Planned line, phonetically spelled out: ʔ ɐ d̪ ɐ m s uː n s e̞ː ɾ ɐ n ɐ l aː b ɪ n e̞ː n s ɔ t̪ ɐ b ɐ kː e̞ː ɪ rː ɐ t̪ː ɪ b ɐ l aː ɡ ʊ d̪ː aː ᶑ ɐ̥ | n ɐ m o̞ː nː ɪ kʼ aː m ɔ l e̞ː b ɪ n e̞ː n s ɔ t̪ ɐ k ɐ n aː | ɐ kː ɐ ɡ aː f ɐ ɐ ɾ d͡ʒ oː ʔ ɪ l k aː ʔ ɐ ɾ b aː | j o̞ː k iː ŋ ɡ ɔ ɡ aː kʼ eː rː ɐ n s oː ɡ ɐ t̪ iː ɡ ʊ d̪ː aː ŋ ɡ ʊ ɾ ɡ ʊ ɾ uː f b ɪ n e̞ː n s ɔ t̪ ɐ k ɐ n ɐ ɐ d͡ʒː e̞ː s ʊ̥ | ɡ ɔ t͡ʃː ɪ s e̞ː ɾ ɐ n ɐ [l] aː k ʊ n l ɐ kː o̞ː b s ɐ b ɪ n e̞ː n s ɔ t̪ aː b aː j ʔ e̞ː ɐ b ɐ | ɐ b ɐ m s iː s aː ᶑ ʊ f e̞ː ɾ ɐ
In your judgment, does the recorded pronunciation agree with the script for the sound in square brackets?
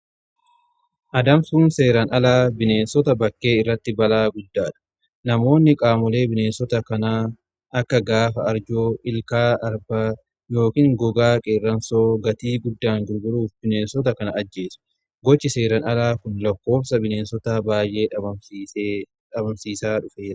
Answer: yes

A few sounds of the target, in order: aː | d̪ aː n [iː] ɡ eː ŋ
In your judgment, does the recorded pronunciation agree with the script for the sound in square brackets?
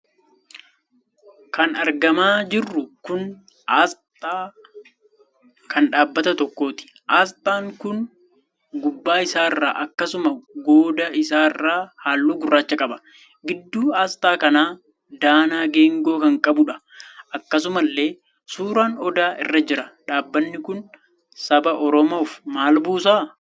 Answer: no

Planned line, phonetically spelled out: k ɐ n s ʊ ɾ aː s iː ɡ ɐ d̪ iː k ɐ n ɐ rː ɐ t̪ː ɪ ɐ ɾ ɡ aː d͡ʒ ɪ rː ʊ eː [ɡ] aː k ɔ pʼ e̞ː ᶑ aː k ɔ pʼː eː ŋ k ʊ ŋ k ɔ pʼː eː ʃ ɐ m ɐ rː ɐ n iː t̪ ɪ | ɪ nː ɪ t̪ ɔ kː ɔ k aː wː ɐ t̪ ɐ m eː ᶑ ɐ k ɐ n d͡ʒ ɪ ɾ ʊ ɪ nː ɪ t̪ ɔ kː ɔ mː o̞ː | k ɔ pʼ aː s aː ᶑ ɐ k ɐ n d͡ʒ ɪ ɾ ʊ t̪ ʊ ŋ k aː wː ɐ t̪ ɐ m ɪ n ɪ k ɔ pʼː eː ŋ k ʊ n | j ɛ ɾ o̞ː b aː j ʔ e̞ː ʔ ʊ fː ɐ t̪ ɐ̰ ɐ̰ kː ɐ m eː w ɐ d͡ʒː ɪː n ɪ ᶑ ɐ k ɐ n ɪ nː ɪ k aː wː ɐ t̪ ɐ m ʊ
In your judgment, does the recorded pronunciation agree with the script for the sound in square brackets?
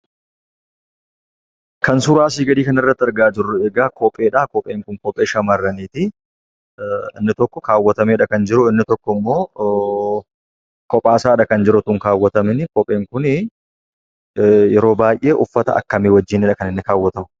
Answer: yes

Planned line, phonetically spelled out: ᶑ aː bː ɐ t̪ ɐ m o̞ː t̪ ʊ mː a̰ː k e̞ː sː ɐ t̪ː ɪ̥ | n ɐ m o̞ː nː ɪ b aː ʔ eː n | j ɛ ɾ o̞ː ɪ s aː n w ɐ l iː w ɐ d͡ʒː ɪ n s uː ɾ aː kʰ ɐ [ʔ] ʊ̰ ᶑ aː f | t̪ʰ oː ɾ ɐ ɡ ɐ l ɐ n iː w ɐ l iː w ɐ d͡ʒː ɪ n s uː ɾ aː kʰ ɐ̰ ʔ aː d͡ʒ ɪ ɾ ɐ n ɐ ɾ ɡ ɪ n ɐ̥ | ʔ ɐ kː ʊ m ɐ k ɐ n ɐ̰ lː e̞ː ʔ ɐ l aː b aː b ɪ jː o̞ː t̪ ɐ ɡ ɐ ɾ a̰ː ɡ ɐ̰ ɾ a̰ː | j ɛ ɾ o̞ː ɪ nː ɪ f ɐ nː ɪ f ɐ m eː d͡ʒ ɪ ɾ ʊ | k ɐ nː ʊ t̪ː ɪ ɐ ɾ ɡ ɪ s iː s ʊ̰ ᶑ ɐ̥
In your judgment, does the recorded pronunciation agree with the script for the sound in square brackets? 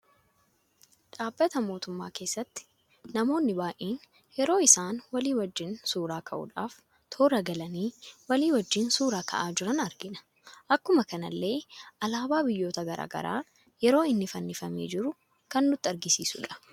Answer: yes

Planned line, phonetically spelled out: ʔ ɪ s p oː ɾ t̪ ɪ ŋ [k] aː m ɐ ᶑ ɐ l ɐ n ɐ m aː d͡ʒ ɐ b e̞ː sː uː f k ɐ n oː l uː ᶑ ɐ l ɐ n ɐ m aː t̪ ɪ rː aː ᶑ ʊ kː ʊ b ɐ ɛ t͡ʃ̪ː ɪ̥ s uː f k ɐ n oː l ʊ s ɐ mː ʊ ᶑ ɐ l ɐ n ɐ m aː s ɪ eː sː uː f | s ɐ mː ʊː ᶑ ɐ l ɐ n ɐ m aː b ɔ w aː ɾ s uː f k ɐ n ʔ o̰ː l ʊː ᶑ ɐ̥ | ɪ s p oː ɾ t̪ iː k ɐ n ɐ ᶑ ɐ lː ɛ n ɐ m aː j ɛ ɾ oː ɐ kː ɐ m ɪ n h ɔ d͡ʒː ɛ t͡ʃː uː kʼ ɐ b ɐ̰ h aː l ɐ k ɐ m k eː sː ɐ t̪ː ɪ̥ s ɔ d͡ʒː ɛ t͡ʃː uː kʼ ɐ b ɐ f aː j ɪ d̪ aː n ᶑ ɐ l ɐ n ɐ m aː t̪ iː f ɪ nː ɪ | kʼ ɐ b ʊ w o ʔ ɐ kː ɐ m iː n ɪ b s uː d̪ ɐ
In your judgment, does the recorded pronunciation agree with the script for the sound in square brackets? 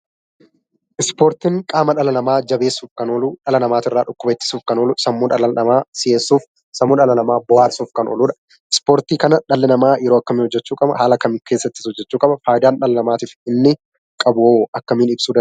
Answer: no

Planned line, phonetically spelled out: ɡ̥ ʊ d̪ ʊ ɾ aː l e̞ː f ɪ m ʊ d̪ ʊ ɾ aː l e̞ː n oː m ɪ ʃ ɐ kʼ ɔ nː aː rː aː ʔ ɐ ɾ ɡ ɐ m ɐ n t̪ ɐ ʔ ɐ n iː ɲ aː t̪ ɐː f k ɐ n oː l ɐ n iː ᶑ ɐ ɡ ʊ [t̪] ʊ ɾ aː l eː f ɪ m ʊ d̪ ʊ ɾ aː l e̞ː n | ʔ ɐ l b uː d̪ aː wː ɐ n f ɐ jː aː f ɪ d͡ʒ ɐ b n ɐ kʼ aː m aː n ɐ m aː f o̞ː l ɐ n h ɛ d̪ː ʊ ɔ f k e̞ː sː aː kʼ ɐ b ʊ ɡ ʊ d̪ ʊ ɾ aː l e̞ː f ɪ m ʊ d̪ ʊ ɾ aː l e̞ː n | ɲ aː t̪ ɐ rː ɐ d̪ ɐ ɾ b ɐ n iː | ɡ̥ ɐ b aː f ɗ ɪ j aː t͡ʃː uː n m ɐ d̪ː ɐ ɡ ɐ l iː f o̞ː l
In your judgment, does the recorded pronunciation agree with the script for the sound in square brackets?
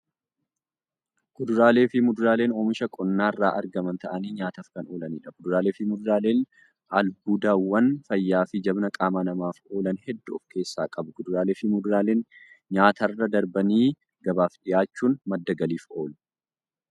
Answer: no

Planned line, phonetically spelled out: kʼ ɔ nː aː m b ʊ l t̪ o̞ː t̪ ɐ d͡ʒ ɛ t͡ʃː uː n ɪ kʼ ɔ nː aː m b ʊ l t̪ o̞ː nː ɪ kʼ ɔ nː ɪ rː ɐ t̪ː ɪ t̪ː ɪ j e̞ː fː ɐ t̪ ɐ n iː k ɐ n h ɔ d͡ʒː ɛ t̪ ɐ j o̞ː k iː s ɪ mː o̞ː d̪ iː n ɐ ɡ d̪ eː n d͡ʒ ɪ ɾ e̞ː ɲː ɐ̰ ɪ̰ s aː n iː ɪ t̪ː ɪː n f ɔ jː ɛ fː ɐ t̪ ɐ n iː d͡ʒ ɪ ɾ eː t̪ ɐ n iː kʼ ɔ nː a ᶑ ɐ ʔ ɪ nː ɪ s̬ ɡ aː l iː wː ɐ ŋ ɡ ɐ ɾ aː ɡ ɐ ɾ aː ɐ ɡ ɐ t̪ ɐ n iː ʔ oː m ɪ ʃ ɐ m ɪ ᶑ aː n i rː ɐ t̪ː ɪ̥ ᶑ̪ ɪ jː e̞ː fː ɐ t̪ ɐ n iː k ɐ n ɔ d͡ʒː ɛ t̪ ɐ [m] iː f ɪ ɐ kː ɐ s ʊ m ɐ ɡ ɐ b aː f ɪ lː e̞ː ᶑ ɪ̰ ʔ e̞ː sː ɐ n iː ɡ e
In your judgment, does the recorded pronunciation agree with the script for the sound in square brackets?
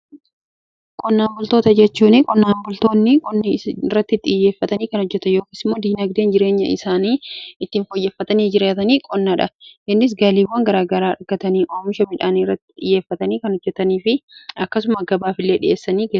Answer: no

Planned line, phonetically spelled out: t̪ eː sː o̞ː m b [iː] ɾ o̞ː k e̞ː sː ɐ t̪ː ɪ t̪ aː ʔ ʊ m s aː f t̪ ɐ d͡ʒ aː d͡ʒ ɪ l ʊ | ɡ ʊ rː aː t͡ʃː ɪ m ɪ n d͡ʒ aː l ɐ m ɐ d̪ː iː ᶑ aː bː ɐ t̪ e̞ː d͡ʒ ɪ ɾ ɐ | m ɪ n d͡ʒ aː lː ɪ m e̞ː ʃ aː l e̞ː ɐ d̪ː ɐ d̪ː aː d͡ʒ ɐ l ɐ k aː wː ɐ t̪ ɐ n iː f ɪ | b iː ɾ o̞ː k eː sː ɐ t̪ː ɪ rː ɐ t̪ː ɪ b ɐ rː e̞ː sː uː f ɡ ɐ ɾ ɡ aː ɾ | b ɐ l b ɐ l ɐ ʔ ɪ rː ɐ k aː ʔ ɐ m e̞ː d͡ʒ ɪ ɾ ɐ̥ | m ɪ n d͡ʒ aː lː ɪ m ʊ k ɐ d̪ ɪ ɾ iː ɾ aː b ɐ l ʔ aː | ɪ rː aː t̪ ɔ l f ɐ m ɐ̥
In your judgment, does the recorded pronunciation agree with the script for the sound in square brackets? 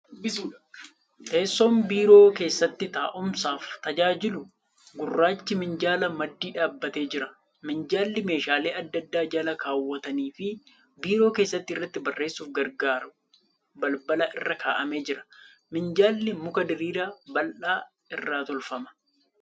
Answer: yes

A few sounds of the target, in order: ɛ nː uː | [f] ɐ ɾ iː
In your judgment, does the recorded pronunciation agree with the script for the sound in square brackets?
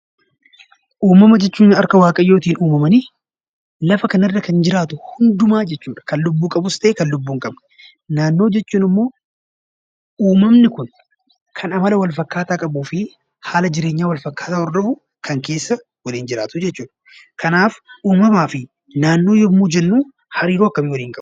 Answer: no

